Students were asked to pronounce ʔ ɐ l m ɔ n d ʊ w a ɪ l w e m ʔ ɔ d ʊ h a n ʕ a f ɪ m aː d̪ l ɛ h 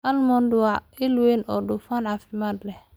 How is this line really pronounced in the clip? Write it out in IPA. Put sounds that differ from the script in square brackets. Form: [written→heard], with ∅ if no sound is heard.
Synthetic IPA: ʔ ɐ l m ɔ n d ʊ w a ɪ l w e [m→n] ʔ ɔ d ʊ [h→f] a n ʕ a f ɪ m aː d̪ l ɛ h